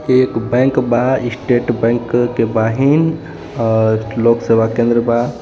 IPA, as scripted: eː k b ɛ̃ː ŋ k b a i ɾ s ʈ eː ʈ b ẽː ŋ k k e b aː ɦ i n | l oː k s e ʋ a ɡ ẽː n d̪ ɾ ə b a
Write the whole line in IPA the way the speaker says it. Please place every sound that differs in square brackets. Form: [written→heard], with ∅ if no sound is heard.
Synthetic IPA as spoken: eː k b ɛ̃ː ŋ k b a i [ɾ→∅] s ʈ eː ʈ b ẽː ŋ k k e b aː ɦ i n | l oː k s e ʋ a [ɡ→k] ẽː n d̪ ɾ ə b a